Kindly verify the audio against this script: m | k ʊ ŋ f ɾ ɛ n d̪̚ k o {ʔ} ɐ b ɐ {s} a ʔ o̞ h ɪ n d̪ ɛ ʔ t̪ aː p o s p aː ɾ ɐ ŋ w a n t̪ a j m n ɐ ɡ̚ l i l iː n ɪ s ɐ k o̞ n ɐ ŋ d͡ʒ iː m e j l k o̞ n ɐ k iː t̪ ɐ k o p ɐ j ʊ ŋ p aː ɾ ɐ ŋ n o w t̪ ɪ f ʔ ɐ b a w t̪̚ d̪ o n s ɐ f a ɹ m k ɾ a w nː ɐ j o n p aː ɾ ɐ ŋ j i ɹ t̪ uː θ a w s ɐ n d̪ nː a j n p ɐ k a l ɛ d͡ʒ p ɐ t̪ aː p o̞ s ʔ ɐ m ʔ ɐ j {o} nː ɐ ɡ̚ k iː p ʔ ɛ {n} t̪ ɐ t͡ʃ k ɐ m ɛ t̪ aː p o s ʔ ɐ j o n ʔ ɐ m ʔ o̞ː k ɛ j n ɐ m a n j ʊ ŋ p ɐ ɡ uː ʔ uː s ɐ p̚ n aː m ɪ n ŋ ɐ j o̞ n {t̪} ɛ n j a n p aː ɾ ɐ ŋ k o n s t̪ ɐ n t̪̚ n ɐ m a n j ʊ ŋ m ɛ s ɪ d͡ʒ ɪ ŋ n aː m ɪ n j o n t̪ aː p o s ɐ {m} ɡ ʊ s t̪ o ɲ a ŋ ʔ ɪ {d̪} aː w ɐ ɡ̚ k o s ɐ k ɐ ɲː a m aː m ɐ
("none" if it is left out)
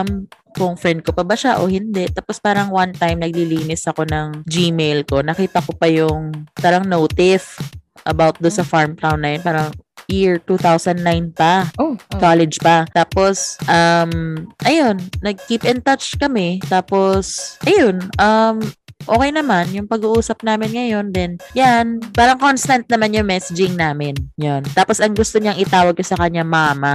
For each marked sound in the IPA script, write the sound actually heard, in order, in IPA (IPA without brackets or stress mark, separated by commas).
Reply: p, ʃ, o, n, d̪, ŋ, t̪